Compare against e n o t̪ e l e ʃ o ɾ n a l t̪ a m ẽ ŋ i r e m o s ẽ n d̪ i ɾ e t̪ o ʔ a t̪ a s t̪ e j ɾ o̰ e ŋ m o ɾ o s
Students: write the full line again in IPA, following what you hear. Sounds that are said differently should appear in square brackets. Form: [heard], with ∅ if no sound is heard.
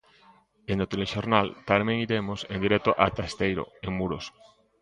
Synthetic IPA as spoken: e n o t̪ e l e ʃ o ɾ n a l t̪ a m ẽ ŋ i [ɾ] e m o s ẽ n d̪ i ɾ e t̪ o ʔ a t̪ a s t̪ e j ɾ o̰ e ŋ m [u] ɾ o s

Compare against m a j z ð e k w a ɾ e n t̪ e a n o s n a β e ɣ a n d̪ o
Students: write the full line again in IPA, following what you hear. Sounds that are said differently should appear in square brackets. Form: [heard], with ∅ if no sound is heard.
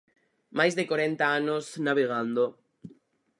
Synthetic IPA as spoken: m a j z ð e k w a ɾ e n t̪ [a] a n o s n a β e ɣ a n d̪ o

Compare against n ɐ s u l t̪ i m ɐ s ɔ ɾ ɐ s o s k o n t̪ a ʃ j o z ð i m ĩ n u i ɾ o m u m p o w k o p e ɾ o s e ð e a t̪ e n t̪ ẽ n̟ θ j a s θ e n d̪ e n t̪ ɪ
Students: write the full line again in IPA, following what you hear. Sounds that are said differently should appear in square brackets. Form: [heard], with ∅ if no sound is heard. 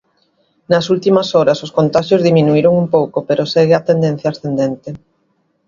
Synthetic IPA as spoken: n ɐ s u l t̪ i m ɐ s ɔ ɾ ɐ s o s k o n t̪ a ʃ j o z ð i m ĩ n u i ɾ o [ŋ] u m p o w k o p e ɾ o s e [ɣ] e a t̪ e n [d̪] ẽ n̟ θ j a s θ e n d̪ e n t̪ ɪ

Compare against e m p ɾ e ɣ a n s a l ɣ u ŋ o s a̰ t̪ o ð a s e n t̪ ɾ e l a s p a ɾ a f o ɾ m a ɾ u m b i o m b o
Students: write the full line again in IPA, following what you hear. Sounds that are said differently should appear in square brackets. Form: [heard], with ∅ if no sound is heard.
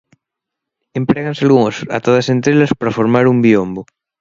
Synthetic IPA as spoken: e m p ɾ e ɣ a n s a l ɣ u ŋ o s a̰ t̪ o ð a s e n t̪ ɾ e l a s p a ɾ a f o ɾ m a ɾ u m b i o m b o

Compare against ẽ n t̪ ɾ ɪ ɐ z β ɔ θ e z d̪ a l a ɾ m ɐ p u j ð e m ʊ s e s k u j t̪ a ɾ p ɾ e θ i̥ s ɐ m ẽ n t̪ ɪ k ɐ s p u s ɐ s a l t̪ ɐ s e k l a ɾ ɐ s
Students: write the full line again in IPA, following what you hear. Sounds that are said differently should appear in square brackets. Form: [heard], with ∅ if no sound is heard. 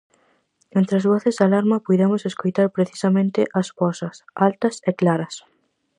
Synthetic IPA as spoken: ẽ n t̪ ɾ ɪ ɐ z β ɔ θ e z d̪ a l a ɾ m ɐ p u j ð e m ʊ s e s k [o] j t̪ a ɾ p ɾ e θ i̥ s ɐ m ẽ n t̪ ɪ [ʔ] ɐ s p [ɔ] s ɐ s a l t̪ ɐ s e k l a ɾ ɐ s

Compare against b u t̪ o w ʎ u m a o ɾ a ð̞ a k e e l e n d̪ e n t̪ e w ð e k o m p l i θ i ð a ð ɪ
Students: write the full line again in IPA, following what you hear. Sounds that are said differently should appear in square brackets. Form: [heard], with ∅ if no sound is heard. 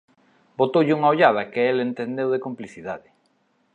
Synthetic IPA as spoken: b [o] t̪ o w ʎ u [ŋ] a o [ʎ] a ð̞ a k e e l e n [t̪] e n [d̪] e w ð e k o m p l i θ i ð a ð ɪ

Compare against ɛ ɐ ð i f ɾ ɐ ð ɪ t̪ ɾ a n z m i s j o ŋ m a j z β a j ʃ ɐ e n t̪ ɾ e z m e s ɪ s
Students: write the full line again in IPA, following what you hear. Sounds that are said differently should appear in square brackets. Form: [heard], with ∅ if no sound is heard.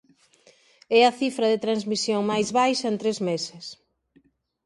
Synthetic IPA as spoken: ɛ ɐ [θ] i f ɾ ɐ ð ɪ t̪ ɾ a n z m i s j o ŋ m a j z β a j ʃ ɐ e n t̪ ɾ e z m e s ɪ s

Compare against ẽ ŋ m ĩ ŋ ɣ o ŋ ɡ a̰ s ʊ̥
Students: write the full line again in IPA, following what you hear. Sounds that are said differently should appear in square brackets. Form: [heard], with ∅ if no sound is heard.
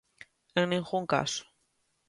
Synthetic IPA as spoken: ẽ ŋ [n] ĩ ŋ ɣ [u] ŋ [k] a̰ s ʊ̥

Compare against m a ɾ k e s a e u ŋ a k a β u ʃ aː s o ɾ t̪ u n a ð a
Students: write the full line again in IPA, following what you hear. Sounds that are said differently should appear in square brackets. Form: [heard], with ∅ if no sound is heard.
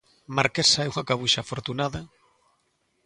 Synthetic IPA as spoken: m a ɾ k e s a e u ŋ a k a β u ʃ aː [f] o ɾ t̪ u n a ð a

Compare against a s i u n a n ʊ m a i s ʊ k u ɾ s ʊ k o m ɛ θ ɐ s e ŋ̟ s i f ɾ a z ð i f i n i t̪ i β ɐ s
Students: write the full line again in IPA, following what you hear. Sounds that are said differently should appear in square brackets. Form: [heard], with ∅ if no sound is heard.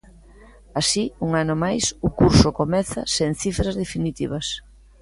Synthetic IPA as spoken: a s i u [ŋ] a n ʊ m a [j] s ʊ k u ɾ s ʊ k o m ɛ θ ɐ s e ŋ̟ [θ] i f ɾ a z ð [e] f i n i t̪ i β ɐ s

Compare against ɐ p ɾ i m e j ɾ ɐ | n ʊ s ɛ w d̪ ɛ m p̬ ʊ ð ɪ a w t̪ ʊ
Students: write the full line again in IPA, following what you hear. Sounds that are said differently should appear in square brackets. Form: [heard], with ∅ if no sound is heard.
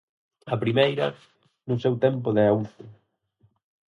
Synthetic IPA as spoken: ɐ p ɾ i m e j ɾ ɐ | n ʊ s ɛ w [t̪] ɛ m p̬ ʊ ð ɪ a w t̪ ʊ

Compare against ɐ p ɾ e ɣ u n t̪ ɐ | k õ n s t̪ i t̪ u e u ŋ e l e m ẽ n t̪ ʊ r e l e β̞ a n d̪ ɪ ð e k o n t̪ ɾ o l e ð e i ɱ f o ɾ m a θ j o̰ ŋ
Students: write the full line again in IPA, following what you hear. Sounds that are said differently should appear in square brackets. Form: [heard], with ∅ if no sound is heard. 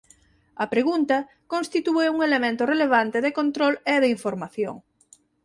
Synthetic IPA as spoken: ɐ p ɾ e ɣ u n t̪ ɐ | k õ n s t̪ i t̪ u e u ŋ e l e m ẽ n t̪ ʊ r e l e β̞ a n [t̪] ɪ ð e k o n t̪ ɾ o l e ð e i ɱ f o ɾ m a θ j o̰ ŋ

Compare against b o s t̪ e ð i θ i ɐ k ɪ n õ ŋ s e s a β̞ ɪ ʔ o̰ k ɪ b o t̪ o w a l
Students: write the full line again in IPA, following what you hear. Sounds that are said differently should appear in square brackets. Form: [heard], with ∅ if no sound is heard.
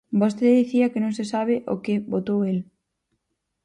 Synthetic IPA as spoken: b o s t̪ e ð i θ i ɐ k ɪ n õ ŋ s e s a β̞ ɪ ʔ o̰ k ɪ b o t̪ o w [e] l

